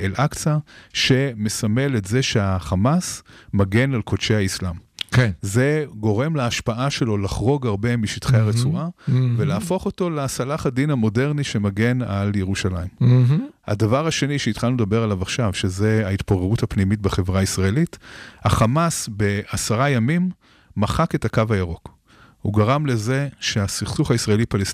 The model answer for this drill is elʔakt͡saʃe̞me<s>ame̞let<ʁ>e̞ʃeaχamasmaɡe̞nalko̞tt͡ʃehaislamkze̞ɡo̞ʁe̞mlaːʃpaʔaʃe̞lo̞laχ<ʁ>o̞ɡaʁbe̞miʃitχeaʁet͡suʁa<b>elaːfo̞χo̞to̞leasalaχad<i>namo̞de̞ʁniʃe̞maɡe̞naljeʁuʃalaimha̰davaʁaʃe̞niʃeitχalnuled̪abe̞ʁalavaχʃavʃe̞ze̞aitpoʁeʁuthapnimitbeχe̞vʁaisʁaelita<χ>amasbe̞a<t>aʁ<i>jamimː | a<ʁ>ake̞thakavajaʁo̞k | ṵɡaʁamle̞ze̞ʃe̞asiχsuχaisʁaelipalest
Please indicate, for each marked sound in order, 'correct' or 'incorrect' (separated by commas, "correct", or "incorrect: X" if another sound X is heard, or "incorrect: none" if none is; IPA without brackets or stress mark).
correct, incorrect: z, correct, incorrect: v, correct, correct, incorrect: s, incorrect: a, incorrect: χ